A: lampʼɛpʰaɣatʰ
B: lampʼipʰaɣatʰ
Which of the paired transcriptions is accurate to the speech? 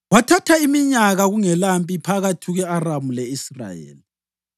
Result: B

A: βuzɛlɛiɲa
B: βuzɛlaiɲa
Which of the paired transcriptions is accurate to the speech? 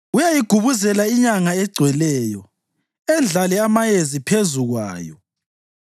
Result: B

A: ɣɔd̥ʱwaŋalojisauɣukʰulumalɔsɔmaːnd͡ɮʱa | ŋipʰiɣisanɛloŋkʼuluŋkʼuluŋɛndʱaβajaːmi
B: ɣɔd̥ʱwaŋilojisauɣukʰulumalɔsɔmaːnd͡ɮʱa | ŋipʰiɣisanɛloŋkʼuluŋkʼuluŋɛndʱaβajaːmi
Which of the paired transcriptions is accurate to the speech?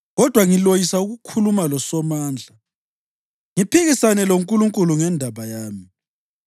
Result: B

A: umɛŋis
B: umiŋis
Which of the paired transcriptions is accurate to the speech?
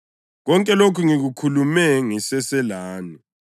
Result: A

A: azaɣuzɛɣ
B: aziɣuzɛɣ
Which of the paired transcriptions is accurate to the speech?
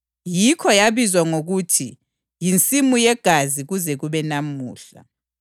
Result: B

